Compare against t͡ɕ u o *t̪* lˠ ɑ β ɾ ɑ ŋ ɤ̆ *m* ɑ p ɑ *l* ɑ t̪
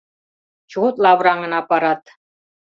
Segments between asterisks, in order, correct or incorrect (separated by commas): correct, incorrect, incorrect